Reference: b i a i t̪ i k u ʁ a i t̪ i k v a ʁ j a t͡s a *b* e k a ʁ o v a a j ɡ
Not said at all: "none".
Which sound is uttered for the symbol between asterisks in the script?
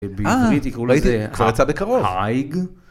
b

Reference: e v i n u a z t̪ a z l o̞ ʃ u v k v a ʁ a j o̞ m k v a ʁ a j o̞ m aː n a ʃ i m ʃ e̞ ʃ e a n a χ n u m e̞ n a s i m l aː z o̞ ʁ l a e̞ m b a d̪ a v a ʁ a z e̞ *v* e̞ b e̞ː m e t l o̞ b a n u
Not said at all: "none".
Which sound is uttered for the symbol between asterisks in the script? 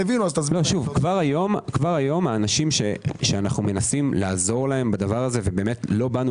v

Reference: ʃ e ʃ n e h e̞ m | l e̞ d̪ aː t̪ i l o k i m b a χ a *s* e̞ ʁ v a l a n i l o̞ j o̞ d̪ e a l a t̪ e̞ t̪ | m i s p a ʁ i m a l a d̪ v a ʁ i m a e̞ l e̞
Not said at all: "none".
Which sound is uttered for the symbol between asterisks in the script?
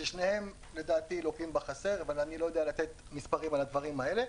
s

